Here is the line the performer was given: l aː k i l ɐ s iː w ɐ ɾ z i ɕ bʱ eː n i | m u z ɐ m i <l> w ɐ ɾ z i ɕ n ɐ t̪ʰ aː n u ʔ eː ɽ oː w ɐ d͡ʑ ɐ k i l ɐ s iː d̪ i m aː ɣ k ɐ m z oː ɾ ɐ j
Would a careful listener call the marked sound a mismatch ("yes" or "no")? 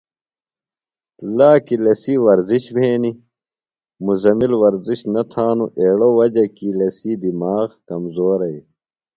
no